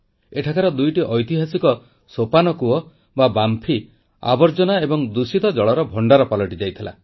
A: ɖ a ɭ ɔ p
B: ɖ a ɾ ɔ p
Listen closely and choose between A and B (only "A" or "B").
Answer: B